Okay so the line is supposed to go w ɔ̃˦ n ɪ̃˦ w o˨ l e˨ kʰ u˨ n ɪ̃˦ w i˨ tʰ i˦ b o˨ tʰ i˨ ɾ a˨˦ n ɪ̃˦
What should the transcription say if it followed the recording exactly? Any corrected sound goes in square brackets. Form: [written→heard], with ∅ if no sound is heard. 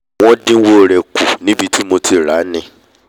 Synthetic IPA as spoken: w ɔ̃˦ [n→d] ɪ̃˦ w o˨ [l→ɾ] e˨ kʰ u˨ n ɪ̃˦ [w→b] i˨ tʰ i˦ [b→m] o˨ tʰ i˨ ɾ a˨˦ n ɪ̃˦